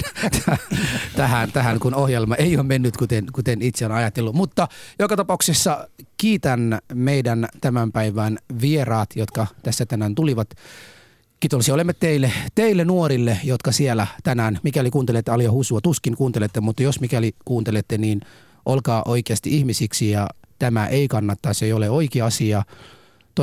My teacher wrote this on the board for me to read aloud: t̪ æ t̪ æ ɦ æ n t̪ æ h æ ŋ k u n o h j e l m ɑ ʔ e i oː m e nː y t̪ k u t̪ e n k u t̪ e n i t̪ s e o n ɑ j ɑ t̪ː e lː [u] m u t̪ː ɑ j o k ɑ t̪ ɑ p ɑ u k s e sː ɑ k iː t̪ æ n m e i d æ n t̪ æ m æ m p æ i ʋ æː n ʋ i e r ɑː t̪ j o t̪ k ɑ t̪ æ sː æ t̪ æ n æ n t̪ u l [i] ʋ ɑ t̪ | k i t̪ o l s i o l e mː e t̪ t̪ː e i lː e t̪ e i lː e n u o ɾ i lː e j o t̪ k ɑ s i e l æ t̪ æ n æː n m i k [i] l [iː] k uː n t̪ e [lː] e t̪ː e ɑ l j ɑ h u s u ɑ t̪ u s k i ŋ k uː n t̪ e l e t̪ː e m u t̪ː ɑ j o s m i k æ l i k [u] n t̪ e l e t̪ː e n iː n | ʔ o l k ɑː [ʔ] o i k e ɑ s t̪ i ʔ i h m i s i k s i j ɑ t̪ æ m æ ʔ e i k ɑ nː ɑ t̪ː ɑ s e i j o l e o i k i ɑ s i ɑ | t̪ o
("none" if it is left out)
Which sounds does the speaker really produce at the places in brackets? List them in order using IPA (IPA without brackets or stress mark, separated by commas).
u, i, æ, i, l, uː, ʔ